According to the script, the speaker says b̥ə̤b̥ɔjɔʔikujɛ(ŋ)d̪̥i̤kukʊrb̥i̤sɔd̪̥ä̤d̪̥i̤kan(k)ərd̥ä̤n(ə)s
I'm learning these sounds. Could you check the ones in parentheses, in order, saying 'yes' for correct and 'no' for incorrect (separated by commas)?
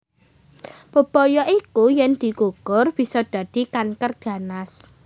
no, yes, no